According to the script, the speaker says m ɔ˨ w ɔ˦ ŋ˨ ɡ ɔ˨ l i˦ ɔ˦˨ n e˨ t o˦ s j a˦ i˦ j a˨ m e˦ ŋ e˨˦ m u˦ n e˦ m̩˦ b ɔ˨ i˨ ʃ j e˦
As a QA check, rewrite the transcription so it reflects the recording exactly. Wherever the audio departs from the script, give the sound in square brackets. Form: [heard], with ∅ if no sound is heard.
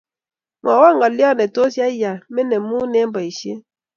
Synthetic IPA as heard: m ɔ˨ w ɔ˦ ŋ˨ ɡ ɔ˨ l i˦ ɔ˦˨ n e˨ t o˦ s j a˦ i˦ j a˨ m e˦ [n] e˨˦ m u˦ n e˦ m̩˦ b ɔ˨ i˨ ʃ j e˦